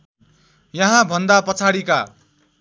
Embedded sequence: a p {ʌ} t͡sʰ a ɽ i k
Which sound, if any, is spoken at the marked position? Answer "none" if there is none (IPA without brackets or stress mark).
ʌ